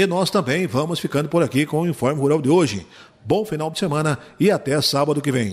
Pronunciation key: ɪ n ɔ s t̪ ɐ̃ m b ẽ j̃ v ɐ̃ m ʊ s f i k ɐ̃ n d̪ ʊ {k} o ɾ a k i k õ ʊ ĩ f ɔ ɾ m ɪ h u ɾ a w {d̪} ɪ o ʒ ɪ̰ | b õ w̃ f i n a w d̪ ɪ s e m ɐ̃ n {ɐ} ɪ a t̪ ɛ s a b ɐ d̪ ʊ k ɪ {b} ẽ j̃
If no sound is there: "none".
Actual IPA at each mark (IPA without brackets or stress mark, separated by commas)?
p, d̪, ɐ, v